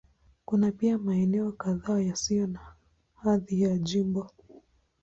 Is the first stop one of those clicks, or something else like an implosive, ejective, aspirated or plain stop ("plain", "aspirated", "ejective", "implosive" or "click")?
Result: plain